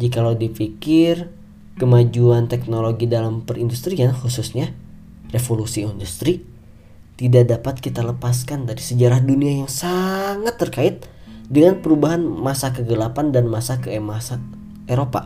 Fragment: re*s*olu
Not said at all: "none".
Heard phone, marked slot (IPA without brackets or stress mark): f